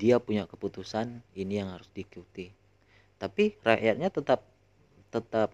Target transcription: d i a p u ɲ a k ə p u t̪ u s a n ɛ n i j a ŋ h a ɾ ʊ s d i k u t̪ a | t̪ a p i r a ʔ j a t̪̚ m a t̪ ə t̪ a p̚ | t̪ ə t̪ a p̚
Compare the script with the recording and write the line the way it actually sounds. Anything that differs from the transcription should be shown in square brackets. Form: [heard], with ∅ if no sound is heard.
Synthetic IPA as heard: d i a p u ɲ a k ə p u t̪ u s a n [i] n i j a ŋ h a ɾ ʊ s d i k u t̪ [i] | t̪ a p i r a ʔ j a t̪̚ [ɲ] a t̪ ə t̪ a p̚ | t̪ ə t̪ a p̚